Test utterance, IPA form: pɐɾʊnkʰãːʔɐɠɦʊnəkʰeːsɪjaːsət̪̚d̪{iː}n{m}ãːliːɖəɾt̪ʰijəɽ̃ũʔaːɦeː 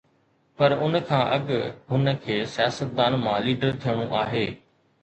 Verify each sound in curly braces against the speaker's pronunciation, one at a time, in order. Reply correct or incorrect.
incorrect: aː, correct

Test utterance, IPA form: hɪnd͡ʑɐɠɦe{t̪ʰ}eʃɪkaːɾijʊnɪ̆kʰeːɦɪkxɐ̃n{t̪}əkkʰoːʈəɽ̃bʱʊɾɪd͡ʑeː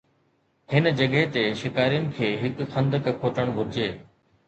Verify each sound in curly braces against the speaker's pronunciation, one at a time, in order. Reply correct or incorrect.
incorrect: t̪, incorrect: d̪

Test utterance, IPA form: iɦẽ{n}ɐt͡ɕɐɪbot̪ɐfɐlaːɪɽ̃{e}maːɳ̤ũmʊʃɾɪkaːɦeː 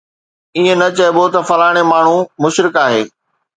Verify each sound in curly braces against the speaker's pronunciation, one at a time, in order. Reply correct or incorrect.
correct, correct

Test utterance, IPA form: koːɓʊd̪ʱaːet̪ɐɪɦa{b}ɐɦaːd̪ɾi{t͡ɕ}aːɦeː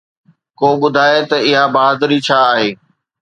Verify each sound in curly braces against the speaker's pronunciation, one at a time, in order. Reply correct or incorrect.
correct, incorrect: t͡ɕʰ

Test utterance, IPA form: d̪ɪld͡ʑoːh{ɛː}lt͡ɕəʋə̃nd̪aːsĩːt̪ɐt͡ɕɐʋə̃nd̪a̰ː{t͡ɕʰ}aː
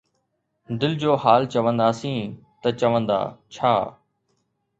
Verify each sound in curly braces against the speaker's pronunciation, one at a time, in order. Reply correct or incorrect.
incorrect: aː, correct

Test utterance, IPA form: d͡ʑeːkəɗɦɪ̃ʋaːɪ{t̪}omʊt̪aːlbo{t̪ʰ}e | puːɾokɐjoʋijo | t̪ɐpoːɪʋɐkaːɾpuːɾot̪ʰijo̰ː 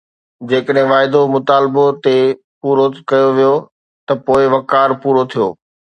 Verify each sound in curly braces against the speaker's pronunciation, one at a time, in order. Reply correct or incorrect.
incorrect: d̪, incorrect: t̪

